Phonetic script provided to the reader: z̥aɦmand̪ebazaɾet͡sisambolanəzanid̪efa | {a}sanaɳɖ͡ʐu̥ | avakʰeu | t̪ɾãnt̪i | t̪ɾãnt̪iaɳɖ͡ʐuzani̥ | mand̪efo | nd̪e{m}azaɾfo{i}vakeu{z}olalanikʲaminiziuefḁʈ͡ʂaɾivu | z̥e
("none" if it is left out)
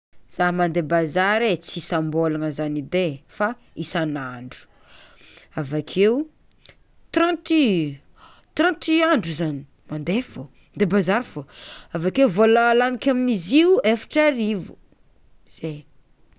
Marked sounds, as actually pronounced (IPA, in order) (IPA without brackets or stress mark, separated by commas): i, b, a, v